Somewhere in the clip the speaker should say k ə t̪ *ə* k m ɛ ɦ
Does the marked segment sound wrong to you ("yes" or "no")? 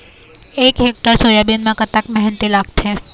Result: yes